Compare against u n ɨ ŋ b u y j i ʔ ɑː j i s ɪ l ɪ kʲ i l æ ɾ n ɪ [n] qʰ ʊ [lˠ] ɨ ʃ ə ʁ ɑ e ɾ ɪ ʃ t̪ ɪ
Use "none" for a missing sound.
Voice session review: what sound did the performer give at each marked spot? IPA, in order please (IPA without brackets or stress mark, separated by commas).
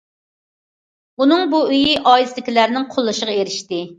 ŋ, lˠː